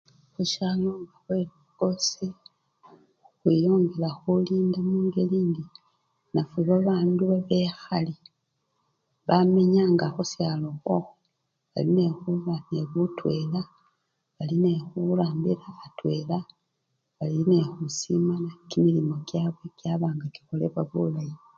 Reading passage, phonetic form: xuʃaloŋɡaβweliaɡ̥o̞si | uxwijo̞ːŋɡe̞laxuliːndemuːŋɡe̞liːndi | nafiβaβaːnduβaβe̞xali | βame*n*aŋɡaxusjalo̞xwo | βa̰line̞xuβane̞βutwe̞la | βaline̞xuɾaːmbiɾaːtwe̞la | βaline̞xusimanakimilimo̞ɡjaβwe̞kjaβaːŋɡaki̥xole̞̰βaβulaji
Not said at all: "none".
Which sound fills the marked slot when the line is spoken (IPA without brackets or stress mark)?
ɲ